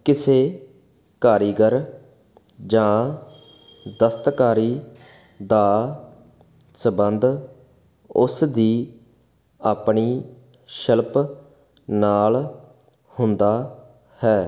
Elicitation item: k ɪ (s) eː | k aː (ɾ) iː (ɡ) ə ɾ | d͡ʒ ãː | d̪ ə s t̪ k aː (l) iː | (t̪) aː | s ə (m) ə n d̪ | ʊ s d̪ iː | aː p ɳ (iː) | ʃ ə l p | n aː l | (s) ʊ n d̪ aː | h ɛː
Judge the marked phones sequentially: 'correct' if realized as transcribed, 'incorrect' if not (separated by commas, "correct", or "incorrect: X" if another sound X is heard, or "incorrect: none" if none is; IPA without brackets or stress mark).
correct, correct, correct, incorrect: ɾ, incorrect: d̪, incorrect: b, correct, incorrect: h